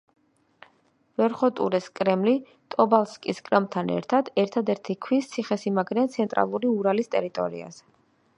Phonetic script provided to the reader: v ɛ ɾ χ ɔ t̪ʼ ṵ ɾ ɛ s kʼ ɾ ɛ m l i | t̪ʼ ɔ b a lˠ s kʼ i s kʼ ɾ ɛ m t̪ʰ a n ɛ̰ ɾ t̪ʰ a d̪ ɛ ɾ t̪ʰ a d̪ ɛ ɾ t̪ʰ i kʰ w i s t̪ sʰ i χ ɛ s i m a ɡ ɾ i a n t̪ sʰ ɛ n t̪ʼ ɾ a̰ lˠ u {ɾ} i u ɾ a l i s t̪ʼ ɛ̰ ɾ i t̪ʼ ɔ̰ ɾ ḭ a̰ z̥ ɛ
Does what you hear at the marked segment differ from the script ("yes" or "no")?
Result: no